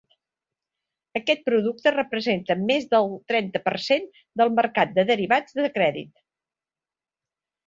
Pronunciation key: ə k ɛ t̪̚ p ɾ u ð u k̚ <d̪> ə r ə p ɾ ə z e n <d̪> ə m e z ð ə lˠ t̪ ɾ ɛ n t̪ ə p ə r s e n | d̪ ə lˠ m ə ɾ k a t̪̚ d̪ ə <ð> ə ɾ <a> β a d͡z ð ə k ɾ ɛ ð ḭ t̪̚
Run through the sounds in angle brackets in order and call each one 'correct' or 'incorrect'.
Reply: incorrect: t̪, incorrect: t̪, correct, incorrect: i

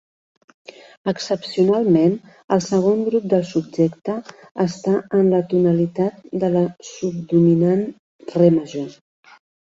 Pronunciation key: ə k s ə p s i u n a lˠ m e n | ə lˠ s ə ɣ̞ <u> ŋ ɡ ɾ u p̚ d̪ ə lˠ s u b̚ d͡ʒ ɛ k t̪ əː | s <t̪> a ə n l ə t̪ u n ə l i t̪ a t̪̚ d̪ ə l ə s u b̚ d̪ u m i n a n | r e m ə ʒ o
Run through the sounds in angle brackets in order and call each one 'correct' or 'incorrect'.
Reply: incorrect: o, correct

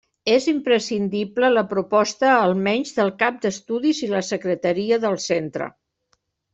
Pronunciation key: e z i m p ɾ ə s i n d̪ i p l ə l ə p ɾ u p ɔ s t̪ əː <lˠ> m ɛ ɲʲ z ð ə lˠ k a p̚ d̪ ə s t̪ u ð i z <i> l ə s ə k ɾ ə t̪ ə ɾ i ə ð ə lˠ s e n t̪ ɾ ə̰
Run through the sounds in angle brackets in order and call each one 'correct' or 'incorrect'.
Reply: correct, correct

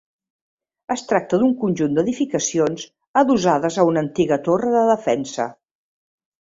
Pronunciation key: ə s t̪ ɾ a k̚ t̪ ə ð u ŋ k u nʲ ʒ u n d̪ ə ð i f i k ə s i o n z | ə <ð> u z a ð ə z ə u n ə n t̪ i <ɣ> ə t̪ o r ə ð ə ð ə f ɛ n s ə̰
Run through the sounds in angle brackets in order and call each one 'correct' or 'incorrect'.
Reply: correct, correct

